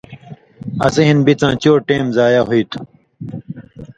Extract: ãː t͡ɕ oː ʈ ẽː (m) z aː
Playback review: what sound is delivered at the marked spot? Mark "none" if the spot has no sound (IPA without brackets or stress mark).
m